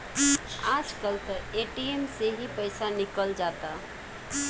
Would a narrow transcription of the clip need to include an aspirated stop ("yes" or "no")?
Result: no